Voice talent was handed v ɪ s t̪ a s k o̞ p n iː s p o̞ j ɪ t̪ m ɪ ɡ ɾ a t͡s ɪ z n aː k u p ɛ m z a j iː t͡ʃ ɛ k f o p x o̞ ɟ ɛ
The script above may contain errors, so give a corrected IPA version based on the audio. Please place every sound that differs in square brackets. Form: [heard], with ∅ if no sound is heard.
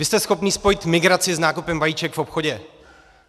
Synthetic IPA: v ɪ s t̪ [ɛ] s [x] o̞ p n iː s p o̞ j ɪ t̪ m ɪ ɡ ɾ a t͡s ɪ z n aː k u p ɛ m [v] a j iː t͡ʃ ɛ k f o p x o̞ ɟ ɛ